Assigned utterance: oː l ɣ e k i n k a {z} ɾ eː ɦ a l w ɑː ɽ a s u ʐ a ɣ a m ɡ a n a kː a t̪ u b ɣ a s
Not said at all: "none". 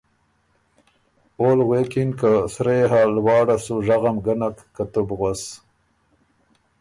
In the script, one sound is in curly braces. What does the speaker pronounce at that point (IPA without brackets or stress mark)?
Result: s